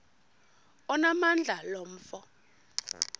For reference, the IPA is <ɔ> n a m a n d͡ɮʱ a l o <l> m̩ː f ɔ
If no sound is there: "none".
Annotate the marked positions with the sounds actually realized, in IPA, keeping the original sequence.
ɔ, none

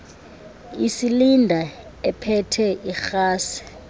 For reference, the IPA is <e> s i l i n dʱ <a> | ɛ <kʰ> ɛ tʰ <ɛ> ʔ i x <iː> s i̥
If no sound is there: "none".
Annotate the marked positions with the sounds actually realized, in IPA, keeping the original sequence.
i, a, pʰ, ɛ, aː

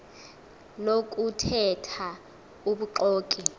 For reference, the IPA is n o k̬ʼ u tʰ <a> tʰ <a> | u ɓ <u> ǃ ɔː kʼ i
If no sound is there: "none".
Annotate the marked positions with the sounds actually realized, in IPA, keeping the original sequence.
ɛ, a, u

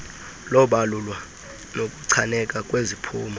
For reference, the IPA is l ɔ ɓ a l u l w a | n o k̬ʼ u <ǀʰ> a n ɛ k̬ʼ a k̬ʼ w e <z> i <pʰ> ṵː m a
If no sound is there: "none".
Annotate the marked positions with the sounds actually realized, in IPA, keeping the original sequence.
ǀʰ, z, pʰ

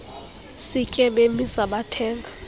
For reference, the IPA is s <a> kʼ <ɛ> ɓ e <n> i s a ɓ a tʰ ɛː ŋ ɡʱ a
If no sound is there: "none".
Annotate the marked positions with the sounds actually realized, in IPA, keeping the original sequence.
i, ɛ, m

